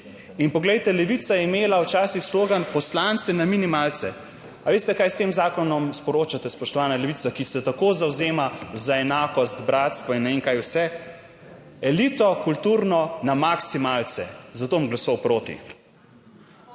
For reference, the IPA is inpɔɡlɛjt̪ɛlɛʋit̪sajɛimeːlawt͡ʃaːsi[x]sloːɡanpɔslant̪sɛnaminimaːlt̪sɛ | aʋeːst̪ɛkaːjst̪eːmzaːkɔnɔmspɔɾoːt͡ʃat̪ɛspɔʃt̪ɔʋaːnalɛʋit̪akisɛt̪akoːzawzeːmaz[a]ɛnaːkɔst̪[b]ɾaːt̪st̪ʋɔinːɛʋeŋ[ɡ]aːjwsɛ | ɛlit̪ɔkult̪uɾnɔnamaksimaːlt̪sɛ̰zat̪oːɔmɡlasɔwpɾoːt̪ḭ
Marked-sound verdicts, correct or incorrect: correct, correct, correct, incorrect

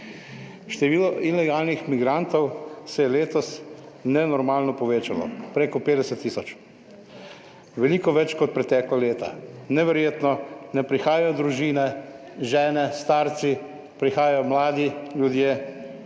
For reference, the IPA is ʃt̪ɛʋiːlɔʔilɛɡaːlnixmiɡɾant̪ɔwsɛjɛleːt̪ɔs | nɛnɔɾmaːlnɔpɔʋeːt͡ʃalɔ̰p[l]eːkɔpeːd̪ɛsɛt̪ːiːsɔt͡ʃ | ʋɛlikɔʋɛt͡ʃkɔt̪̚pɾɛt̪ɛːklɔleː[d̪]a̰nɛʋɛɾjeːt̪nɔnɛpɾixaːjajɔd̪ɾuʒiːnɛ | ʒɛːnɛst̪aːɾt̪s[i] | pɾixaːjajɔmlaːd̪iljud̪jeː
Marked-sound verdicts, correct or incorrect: incorrect, incorrect, correct

